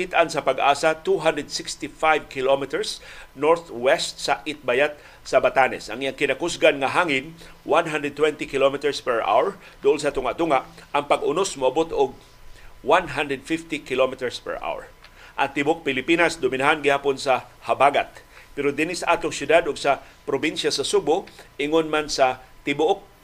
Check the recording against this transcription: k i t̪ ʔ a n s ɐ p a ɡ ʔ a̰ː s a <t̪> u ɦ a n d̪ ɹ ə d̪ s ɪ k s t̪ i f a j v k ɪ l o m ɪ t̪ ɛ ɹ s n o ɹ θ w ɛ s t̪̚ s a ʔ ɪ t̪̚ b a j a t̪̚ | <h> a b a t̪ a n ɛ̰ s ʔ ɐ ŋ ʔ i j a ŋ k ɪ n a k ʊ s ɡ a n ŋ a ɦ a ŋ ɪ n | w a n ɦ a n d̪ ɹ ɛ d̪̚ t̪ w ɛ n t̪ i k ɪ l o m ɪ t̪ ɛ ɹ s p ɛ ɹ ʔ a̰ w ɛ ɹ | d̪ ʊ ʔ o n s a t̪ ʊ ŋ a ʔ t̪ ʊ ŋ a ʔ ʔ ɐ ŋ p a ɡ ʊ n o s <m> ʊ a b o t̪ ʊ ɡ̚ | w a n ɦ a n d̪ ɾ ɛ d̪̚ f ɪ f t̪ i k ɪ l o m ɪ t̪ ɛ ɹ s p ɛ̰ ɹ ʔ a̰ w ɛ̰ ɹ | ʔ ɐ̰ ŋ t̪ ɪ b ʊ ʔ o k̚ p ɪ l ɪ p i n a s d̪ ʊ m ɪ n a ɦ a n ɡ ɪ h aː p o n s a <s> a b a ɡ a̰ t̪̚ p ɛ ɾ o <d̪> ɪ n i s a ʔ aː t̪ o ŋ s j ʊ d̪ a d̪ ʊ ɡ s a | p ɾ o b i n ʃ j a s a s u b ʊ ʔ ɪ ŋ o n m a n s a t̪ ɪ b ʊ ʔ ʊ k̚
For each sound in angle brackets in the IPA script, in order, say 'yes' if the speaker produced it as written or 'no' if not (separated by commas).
yes, no, yes, no, yes